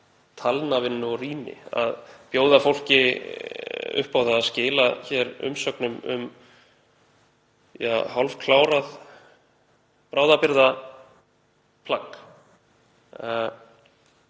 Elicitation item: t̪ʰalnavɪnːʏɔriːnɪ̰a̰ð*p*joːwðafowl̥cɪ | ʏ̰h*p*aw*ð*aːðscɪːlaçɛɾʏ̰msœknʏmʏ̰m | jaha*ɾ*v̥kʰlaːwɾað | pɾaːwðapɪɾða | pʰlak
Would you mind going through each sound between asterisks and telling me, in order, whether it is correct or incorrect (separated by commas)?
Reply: correct, correct, correct, incorrect